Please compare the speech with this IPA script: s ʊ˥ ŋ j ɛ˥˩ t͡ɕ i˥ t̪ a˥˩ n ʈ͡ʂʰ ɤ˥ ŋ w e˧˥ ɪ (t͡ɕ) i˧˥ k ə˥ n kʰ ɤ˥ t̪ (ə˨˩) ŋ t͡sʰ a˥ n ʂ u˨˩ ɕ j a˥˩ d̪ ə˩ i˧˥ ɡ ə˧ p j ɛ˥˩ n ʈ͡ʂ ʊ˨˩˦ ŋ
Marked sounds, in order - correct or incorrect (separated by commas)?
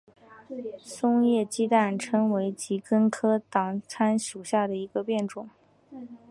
correct, incorrect